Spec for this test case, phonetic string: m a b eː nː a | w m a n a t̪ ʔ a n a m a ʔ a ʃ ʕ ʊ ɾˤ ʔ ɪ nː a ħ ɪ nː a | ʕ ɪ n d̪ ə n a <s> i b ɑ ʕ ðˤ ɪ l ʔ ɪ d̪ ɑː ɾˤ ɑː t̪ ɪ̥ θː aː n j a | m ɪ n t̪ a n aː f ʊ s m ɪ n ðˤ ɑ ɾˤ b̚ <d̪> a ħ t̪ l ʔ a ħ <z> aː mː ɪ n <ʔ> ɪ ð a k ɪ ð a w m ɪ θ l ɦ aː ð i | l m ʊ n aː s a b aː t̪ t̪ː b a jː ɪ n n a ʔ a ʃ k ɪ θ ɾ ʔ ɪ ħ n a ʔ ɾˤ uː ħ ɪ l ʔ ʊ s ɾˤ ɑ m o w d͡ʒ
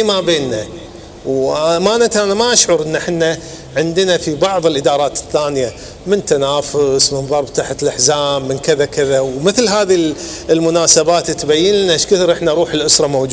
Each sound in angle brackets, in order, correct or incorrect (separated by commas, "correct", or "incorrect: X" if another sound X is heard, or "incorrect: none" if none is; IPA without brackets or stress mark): incorrect: f, incorrect: t̪, correct, incorrect: k